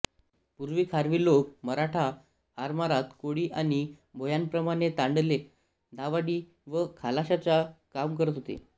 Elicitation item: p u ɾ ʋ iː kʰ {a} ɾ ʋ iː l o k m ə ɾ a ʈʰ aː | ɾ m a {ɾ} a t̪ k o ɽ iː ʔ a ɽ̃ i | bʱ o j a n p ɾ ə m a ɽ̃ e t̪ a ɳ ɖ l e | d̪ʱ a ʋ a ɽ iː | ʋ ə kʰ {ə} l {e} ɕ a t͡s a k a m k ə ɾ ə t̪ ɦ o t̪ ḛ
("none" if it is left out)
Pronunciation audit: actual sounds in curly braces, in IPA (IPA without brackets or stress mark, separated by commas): a, ɾ, a, a